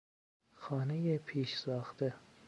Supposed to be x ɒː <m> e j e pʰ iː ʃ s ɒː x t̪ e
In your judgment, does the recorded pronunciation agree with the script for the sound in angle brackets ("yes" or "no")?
no